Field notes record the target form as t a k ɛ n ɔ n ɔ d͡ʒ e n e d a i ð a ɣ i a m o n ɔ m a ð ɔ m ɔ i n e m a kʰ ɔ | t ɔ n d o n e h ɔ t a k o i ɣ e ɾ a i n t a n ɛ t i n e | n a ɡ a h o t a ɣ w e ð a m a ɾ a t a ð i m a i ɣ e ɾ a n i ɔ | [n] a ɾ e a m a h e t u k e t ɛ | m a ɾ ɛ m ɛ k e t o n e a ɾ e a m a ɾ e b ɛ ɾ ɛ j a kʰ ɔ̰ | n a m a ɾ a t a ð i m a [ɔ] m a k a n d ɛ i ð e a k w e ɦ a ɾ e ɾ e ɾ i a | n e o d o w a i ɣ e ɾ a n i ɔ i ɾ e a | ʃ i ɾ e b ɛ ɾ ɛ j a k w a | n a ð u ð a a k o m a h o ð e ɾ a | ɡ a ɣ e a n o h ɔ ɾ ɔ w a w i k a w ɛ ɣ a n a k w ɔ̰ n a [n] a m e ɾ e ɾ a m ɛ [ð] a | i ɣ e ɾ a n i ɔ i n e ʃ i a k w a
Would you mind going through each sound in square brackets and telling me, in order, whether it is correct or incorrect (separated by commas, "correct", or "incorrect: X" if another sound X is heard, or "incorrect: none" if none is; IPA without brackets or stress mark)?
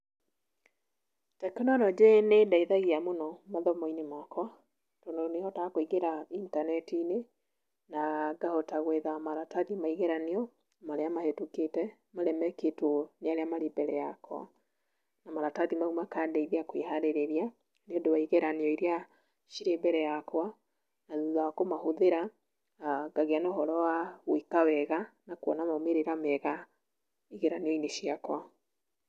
incorrect: m, incorrect: u, incorrect: m, incorrect: ɣ